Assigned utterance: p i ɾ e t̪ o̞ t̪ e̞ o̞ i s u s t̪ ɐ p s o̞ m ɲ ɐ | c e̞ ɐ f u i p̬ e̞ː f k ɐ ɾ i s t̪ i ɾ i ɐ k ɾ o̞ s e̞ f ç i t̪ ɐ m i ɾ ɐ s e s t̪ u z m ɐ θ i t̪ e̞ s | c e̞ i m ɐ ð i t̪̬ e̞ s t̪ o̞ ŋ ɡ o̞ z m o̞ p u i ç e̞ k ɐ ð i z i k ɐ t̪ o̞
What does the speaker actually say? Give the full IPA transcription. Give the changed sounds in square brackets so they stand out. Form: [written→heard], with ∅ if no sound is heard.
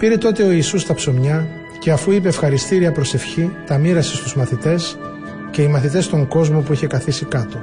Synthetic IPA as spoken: p i ɾ e t̪ o̞ t̪ e̞ o̞ i s u s t̪ ɐ p s o̞ m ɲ ɐ | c e̞ ɐ f u i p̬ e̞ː f [k→x] ɐ ɾ i s t̪ i ɾ i ɐ [k→p] ɾ o̞ s e̞ f ç i t̪ ɐ m i ɾ ɐ s e s t̪ u z m ɐ θ i t̪ e̞ s | c e̞ i m ɐ [ð→θ] i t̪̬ e̞ s t̪ o̞ ŋ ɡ o̞ z m o̞ p u i ç e̞ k ɐ [ð→θ] i [z→s] i k ɐ t̪ o̞